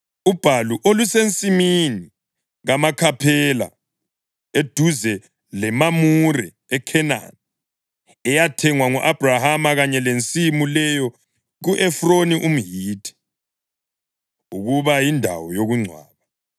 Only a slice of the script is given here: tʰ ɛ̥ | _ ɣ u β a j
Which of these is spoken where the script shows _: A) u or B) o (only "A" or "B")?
A